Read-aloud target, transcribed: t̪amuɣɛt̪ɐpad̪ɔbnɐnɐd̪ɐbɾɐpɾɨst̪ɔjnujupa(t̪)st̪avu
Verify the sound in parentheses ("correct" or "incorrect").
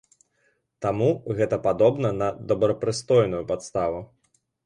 correct